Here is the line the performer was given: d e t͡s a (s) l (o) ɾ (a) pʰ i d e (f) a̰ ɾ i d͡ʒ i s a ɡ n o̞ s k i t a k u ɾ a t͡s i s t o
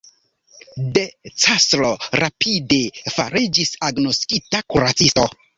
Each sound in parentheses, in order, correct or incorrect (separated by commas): correct, correct, correct, correct